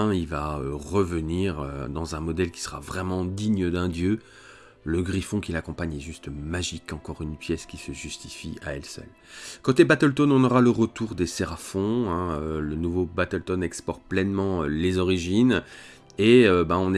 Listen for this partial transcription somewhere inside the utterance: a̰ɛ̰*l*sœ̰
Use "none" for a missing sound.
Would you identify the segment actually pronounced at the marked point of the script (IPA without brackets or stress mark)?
l